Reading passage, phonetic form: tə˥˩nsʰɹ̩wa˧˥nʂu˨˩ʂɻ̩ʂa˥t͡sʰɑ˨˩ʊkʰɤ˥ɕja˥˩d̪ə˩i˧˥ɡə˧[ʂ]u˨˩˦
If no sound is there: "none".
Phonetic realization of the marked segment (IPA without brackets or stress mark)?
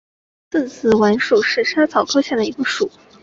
ʂ